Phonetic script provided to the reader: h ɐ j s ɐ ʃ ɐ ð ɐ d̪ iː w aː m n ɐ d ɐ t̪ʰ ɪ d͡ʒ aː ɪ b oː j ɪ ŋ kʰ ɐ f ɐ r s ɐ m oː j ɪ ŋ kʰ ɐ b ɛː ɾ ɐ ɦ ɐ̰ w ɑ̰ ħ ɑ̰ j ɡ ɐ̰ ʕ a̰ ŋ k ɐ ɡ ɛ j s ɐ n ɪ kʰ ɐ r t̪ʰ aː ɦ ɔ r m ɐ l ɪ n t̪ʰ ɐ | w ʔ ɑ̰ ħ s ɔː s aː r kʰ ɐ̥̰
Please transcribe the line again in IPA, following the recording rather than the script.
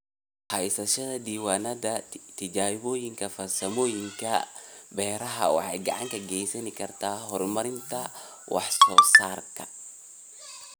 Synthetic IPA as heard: h ɐ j s ɐ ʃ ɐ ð ɐ d̪ iː w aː n ɐ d ɐ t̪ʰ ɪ d͡ʒ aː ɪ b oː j ɪ ŋ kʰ ɐ f ɐ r s ɐ m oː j ɪ ŋ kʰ ɐ b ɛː ɾ ɐ ɦ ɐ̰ w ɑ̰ ħ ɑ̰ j ɡ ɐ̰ ʕ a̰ ŋ k ɐ ɡ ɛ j s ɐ n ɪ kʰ ɐ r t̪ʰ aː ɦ ɔ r m ɐ ɾ ɪ n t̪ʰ ɐ | w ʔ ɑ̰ ħ s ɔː s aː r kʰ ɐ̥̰